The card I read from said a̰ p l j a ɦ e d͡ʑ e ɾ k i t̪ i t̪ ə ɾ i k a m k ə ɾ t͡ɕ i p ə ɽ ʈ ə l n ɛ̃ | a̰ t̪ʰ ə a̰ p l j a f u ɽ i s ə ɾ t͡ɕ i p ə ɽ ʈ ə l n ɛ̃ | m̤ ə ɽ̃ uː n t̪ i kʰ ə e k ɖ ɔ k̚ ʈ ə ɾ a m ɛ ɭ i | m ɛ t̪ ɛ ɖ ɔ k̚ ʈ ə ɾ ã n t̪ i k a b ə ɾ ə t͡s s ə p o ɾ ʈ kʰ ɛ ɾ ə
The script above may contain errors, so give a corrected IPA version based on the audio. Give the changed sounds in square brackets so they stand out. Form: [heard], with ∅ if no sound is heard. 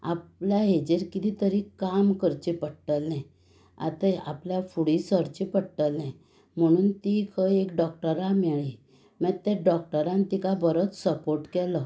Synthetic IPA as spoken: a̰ p l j a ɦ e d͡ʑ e ɾ k i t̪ i t̪ ə ɾ i k a m k ə ɾ t͡ɕ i p ə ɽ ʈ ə l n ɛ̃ | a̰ [t̪] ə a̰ p l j a f u ɽ i s ə ɾ t͡ɕ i p ə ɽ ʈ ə l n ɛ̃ | m̤ ə ɽ̃ uː n t̪ i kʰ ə e k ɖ ɔ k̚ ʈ ə ɾ a m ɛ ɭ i | m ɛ t̪ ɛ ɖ ɔ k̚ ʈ ə ɾ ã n t̪ i k a b ə ɾ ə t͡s s ə p o ɾ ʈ [k] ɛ [l] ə